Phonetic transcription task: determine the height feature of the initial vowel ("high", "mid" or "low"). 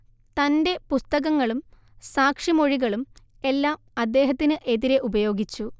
low